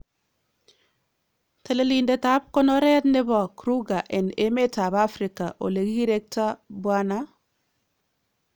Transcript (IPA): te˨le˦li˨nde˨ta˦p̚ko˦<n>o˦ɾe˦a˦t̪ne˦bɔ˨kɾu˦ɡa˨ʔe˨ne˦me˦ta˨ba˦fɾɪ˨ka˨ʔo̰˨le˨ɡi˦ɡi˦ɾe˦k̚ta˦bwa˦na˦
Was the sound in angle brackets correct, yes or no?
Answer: yes